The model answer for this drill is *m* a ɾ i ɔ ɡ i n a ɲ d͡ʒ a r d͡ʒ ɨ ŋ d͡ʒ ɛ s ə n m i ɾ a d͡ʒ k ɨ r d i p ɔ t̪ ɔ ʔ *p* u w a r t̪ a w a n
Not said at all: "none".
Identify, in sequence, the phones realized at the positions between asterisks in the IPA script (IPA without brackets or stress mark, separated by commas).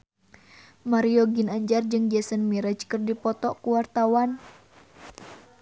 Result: m, k